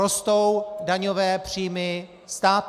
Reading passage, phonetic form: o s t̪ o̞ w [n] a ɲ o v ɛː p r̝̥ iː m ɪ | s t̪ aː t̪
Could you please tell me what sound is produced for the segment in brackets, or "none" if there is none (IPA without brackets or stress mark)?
d